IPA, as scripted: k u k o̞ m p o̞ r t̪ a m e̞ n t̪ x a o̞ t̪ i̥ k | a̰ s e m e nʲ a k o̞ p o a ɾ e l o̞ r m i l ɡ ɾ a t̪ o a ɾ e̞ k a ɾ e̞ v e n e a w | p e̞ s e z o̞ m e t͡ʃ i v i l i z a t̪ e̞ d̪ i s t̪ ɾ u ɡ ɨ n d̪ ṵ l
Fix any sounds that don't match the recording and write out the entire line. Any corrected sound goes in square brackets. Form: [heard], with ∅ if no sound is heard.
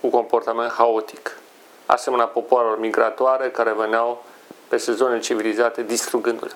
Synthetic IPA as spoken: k u k o̞ m p o̞ r t̪ a m e̞ n t̪ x a o̞ t̪ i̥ k | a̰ s e m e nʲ a [p] o̞ p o a ɾ e l o̞ r m i [∅] ɡ ɾ a t̪ o a ɾ e̞ k a ɾ e̞ v e n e a w | p e̞ s e z o̞ [n] e t͡ʃ i v i l i z a t̪ e̞ d̪ i s t̪ ɾ u ɡ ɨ n d̪ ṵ l